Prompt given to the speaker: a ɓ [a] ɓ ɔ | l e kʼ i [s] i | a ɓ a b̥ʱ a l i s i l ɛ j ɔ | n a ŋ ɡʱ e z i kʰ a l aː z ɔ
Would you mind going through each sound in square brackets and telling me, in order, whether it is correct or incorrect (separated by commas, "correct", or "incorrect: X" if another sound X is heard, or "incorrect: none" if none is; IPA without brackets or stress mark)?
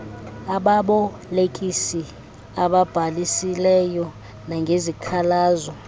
correct, correct